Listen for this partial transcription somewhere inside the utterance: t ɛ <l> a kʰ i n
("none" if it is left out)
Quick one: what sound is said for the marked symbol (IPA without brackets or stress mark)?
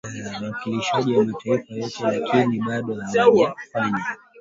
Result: l